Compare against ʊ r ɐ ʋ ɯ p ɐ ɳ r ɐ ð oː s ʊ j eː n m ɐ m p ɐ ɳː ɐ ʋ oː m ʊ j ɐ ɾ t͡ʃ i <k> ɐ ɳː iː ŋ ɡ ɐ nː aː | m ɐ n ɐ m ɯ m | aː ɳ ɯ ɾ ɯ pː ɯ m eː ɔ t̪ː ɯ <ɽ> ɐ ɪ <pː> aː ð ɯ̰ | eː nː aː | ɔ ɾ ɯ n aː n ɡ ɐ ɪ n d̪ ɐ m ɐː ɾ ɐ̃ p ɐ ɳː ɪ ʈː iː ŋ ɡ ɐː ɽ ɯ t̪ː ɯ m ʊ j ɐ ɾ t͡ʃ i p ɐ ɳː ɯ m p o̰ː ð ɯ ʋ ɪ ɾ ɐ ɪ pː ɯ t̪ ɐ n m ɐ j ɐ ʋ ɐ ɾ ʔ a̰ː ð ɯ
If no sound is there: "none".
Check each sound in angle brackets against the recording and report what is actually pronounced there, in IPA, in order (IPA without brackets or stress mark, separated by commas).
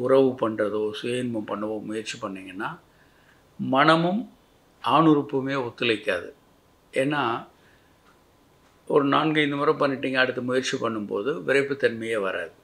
p, l, kː